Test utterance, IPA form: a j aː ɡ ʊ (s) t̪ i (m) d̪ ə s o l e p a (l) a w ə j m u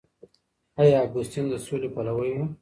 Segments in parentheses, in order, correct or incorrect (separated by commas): correct, incorrect, correct